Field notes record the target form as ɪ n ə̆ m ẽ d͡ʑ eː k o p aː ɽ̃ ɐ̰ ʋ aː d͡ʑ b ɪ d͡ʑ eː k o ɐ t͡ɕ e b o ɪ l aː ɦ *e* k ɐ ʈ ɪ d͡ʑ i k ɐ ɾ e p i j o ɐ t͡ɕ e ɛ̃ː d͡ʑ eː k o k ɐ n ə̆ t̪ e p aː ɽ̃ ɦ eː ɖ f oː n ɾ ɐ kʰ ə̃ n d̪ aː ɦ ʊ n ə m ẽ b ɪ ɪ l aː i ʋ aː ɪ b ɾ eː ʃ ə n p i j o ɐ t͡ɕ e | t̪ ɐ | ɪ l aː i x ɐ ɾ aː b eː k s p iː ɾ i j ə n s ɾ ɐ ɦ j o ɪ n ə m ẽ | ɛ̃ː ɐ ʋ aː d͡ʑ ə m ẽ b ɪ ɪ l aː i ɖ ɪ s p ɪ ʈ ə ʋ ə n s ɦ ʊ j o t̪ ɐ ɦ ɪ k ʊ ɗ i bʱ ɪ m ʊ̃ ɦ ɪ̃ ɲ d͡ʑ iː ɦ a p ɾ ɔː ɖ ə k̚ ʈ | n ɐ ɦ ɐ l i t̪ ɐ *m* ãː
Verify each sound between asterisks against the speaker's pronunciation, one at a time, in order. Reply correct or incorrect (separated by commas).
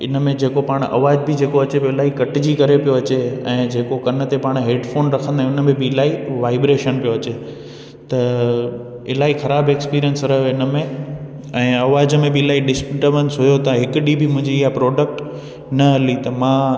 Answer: incorrect, correct